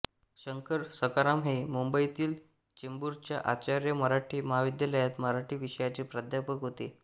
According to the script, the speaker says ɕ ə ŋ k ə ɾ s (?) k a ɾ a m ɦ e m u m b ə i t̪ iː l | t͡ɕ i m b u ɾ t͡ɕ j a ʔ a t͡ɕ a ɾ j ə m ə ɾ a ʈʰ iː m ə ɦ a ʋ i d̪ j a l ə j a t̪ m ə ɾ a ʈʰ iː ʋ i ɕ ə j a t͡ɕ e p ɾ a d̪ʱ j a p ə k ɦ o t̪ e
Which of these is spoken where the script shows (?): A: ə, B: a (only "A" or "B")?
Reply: A